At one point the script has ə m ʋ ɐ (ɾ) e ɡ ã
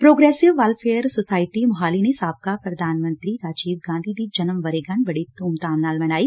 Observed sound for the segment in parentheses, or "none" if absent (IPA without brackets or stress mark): ɾ